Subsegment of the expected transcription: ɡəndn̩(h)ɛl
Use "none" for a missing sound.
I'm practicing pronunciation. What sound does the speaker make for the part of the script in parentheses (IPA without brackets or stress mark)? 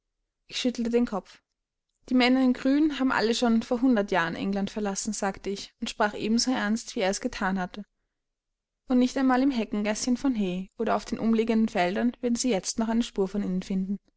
f